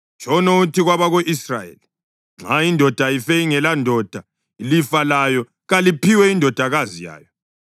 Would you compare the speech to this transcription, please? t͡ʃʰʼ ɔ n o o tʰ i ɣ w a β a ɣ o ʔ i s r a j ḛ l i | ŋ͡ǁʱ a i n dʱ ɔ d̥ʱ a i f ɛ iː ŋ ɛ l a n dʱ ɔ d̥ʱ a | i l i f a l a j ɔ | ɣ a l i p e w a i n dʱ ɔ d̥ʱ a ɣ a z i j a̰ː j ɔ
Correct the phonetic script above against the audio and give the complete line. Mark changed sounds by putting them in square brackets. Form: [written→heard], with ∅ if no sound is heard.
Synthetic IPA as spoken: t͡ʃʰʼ ɔ n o [o→u] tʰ i ɣ w a β a ɣ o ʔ i s r a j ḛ l i | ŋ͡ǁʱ a i n dʱ ɔ d̥ʱ a i f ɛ [iː→i] ŋ ɛ l a n dʱ ɔ d̥ʱ a | i l i f a l a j ɔ | ɣ a l i p [e→i] w [a→ɛ] i n dʱ ɔ d̥ʱ a ɣ a z i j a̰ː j ɔ